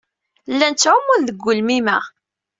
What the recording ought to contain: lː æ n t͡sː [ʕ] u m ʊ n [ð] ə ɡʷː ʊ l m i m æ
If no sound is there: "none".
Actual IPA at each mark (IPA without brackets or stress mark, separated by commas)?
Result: ʕ, ð